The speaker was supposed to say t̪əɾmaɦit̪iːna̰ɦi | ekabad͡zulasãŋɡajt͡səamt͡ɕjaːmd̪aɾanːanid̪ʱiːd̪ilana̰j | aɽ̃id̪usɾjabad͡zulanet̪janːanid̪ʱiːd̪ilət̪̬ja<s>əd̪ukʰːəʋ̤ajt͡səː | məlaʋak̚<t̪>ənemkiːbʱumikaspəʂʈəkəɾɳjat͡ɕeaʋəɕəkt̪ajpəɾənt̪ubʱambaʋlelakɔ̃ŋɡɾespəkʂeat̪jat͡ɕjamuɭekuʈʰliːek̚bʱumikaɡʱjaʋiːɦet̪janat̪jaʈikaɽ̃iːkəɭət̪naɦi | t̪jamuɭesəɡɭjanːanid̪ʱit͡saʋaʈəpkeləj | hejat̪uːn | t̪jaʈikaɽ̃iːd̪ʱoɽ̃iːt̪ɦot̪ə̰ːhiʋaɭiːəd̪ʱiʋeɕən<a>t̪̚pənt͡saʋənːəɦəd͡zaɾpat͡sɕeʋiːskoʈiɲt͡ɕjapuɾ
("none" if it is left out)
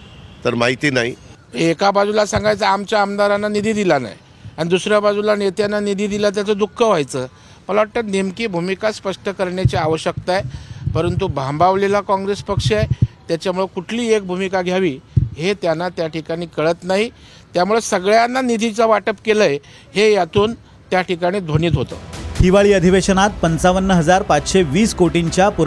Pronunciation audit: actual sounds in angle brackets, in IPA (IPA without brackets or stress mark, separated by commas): t͡s, t̪, a